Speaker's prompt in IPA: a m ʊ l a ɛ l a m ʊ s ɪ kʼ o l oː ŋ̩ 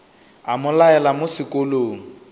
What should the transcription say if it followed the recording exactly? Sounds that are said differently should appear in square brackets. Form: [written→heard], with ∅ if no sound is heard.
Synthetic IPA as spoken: a m ʊ l a ɛ l a m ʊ s ɪ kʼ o l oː ŋ̩